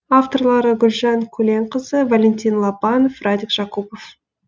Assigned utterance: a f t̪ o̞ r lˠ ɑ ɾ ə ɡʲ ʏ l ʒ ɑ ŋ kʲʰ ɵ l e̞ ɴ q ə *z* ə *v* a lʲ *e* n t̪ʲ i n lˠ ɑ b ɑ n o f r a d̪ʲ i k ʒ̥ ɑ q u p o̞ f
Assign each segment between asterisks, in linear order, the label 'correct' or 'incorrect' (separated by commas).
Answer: correct, correct, correct